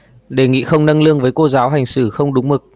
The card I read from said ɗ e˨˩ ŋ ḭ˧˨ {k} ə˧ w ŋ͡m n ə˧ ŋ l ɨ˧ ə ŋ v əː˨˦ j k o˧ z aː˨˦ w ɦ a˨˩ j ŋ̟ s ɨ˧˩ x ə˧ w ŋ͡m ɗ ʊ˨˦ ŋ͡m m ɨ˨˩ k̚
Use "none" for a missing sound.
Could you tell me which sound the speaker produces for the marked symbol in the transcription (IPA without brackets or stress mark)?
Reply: x